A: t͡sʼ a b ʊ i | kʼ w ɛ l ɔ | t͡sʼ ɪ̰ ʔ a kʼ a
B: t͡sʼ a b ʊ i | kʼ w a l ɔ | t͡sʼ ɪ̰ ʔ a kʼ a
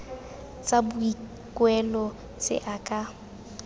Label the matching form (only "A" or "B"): A